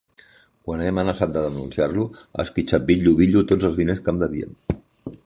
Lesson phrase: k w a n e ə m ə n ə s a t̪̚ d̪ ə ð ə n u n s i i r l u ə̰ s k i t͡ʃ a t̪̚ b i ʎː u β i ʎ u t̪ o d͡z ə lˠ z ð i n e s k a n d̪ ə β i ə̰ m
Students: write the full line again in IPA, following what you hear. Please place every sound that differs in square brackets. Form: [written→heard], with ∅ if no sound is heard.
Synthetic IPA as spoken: k w a n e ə m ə n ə s a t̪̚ d̪ ə ð ə n u n s i [i→a] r l u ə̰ s k i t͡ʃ a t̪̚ b i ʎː u β i ʎ u t̪ o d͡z ə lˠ z ð i n e s k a [n→m] d̪ ə β i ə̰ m